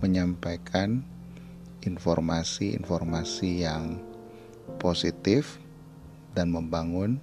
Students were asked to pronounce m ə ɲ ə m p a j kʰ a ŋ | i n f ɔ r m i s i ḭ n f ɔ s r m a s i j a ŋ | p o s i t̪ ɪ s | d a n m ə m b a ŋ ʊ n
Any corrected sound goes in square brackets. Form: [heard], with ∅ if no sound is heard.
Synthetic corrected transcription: m ə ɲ [a] m p a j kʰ a [n] | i n f ɔ r m [a] s i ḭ n f ɔ [∅] r m a s i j a ŋ | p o s i t̪ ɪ [f] | d a n m ə m b a ŋ ʊ n